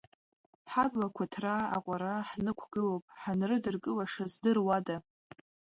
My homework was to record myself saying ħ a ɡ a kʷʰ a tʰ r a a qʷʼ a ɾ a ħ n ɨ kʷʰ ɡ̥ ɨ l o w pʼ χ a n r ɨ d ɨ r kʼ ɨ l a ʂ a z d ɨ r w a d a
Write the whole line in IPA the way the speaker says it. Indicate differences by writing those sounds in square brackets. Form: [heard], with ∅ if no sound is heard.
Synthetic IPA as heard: ħ a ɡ a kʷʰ a tʰ r a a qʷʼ a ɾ a ħ n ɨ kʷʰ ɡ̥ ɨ l o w pʼ [ħ] a n r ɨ d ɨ r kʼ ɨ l a ʂ a z d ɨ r w a d a